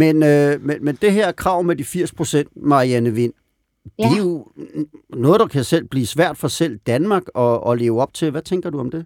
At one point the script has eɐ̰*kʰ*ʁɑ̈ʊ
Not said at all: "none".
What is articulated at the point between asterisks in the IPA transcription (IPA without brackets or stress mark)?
kʰ